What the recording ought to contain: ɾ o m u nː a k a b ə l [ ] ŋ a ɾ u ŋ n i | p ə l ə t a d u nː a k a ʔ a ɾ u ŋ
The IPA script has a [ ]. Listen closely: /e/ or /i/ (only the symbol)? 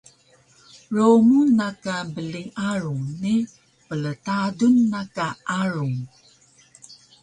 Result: i